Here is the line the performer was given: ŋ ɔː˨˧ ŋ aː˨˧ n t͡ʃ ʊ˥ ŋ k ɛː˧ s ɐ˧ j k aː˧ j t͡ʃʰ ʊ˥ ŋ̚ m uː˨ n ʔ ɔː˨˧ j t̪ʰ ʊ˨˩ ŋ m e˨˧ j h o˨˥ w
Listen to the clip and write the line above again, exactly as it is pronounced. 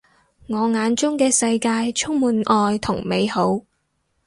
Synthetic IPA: ŋ ɔː˨˧ ŋ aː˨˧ n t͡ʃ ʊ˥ ŋ k ɛː˧ s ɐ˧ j k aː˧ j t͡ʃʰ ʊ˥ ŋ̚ m uː˨ n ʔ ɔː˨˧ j t̪ʰ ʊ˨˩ ŋ m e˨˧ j h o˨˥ w

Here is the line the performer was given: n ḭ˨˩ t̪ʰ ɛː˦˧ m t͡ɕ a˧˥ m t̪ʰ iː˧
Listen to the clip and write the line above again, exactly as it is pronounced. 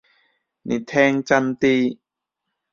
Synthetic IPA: n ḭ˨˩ t̪ʰ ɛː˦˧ ŋ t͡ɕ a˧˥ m t̪ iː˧

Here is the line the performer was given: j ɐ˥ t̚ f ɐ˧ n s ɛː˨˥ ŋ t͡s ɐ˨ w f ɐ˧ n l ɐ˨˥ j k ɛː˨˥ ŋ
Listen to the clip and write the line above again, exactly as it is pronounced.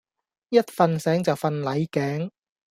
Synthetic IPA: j ɐ˥ t̚ f ɐ˧ n s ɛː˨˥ ŋ t͡s ɐ˨ w f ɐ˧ n l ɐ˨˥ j k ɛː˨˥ ŋ

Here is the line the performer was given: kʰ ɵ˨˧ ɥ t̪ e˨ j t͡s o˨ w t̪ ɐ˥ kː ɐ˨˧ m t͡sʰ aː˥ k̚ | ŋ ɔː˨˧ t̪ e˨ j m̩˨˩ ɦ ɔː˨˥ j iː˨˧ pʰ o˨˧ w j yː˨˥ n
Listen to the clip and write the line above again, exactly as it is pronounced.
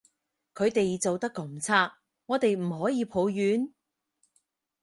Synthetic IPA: kʰ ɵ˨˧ ɥ t̪ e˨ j t͡s o˨ w t̪ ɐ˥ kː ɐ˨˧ m t͡sʰ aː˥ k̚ | ŋ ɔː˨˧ t̪ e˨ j m̩˨˩ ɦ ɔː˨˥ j iː˨˧ pʰ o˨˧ w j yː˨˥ n

